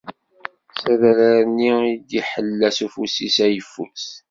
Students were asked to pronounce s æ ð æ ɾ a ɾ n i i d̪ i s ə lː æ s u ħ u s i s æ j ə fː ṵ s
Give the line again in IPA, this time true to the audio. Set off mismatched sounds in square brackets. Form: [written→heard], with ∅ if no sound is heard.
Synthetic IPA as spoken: s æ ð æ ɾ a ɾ n i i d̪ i [s→ħ] ə lː æ s u [ħ→f] u s i s æ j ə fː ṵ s